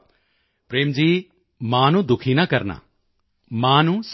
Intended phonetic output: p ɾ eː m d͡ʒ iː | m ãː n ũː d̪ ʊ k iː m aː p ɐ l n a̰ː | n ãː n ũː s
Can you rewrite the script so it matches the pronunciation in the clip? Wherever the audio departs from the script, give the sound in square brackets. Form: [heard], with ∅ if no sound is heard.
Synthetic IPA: p ɾ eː m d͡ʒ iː | m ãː n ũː d̪ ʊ [kʰ] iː [n] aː [k] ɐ [ɾ] n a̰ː | [m] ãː n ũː s